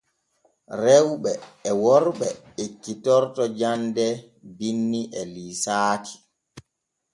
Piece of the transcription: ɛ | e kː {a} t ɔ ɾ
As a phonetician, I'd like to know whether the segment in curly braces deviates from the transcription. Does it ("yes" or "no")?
yes